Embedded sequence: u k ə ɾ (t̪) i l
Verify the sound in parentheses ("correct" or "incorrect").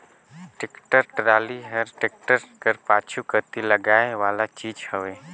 correct